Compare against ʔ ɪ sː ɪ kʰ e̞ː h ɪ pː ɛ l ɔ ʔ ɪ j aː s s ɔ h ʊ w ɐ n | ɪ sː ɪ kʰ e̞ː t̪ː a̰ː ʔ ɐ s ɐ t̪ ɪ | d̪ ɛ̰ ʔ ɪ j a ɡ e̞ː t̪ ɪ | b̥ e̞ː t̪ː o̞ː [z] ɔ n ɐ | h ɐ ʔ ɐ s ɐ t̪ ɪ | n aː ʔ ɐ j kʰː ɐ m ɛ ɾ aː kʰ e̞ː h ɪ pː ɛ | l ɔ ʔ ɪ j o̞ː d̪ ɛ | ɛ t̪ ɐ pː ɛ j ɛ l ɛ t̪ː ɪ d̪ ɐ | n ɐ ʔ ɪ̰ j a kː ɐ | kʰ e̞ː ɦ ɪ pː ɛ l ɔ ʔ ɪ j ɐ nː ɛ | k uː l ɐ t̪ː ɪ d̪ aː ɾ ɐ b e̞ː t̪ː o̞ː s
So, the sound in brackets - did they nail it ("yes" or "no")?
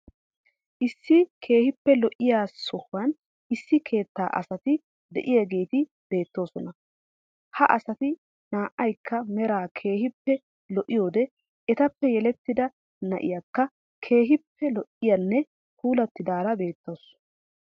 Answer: no